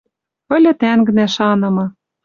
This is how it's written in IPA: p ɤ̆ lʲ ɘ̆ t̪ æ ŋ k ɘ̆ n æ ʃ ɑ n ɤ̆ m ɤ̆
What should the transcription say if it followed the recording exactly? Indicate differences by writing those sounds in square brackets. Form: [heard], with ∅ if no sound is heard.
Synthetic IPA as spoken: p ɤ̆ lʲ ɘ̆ t̪ æ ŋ [ɡ] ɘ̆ n æ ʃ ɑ n ɤ̆ m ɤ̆

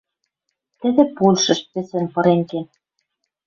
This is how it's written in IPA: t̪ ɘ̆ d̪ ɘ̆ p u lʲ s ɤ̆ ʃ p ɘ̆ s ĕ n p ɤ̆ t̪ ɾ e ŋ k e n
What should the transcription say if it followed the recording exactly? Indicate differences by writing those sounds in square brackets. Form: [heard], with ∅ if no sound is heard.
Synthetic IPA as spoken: t̪ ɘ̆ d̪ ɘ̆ p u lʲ [ʃ] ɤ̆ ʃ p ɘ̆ s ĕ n p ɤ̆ [∅] ɾ e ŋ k e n

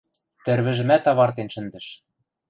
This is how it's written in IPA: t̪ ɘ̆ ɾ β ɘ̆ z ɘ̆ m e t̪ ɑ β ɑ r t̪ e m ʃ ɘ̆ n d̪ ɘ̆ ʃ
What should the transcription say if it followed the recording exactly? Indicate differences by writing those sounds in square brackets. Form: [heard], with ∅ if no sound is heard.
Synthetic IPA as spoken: t̪ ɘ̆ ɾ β ɘ̆ [ʒ] ɘ̆ m [æ] t̪ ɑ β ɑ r t̪ e [n] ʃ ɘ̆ n d̪ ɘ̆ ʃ

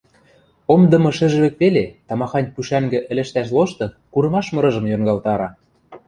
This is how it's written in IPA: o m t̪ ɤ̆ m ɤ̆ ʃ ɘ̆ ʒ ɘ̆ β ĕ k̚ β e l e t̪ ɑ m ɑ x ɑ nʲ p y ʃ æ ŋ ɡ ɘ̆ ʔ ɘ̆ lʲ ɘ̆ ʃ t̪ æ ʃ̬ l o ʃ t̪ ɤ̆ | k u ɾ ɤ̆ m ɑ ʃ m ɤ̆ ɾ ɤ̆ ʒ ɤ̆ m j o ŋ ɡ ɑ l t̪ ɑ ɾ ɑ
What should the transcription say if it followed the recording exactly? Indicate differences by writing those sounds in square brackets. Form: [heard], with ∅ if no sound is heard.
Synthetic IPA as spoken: o m [d̪] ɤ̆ m ɤ̆ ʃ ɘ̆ ʒ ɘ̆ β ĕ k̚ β e l e t̪ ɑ m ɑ x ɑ nʲ p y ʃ æ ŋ ɡ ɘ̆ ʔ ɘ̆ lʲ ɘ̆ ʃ t̪ æ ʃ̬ l o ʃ t̪ ɤ̆ | k u ɾ ɤ̆ m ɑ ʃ m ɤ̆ ɾ ɤ̆ ʒ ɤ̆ m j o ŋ ɡ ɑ l t̪ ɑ ɾ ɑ

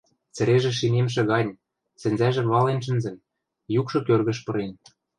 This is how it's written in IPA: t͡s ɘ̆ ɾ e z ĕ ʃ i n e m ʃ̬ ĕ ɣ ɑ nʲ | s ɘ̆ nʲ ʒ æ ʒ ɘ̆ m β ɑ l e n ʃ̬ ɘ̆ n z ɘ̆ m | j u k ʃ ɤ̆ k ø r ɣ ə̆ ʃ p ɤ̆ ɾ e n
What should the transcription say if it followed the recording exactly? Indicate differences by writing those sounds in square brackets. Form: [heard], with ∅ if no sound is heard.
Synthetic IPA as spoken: t͡s ɘ̆ ɾ e [ʒ] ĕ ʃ i n e m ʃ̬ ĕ ɣ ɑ nʲ | s ɘ̆ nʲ [z] æ ʒ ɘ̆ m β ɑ l e n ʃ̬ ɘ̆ n z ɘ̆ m | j u k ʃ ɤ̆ k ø r ɣ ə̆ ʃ p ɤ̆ ɾ e n

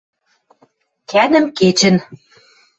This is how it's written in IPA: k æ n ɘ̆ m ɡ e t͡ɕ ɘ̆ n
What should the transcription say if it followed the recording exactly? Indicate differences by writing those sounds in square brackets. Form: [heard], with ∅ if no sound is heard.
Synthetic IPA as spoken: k æ n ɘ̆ m [k] e t͡ɕ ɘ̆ n

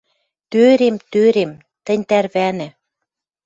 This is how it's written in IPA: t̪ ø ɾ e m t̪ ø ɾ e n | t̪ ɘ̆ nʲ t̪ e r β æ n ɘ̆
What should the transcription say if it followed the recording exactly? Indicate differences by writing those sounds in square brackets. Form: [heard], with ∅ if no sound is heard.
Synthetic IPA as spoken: t̪ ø ɾ e m t̪ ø ɾ e [m] | t̪ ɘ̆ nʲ t̪ [æ] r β æ n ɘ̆

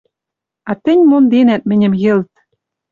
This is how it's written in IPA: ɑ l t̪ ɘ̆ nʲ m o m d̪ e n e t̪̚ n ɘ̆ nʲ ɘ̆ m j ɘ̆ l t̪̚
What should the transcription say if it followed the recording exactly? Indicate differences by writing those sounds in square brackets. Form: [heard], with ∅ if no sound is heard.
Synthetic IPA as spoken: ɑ [∅] t̪ ɘ̆ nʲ m o [n] d̪ e n [æ] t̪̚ [m] ɘ̆ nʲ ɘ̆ m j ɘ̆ l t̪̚

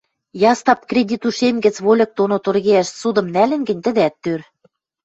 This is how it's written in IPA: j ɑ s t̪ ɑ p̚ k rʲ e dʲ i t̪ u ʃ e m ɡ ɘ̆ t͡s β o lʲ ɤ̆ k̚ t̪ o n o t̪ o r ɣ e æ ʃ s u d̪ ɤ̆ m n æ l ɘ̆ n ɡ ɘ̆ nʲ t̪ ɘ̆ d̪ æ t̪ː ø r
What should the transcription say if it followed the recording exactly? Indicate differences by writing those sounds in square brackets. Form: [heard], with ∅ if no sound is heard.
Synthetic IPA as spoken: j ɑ s t̪ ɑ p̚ k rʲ e dʲ i t̪ u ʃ e m ɡ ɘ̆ t͡s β o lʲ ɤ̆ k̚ t̪ o n o t̪ o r ɣ e æ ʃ s u d̪ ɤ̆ m n æ l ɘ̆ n ɡ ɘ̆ nʲ t̪ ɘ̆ d̪ æ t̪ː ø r

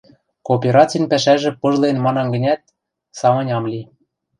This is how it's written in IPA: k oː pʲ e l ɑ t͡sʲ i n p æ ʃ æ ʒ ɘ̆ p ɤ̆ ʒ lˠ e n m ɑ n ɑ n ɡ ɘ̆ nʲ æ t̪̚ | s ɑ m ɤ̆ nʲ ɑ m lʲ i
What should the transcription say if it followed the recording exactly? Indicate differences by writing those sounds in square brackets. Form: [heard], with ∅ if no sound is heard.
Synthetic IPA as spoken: k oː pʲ e [ɾ] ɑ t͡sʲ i n p æ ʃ æ ʒ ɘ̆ p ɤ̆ ʒ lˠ e n m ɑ n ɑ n ɡ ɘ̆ nʲ æ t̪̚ | s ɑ m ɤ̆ nʲ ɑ m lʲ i

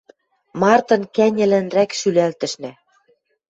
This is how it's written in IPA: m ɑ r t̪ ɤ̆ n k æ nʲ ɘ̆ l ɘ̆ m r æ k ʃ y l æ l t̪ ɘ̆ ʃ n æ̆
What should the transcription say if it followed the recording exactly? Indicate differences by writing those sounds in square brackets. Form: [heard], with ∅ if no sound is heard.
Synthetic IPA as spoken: m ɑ r t̪ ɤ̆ n k æ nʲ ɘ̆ l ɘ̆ [n] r æ k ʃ y l æ l t̪ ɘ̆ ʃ n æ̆

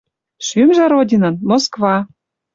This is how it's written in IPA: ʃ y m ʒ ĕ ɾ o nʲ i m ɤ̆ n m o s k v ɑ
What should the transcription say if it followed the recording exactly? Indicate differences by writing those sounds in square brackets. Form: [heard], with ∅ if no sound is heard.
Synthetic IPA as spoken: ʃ y m ʒ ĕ ɾ o [dʲ] i [n] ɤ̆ n m o s k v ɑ

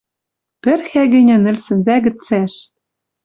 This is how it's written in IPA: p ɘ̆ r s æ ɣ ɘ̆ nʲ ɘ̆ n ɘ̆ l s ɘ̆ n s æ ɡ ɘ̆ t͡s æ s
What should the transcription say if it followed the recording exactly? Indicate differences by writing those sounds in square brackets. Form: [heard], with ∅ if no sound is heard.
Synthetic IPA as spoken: p ɘ̆ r [x] æ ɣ ɘ̆ nʲ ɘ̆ n ɘ̆ l s ɘ̆ n [z] æ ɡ ɘ̆ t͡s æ [ʃ]

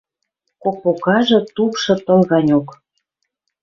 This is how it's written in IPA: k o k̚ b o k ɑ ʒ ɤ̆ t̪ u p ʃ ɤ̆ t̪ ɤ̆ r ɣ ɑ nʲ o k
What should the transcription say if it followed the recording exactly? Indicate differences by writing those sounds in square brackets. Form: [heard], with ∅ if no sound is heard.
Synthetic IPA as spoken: k o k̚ [p] o k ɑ ʒ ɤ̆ t̪ u p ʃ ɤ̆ t̪ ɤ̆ [l] ɣ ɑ nʲ o k

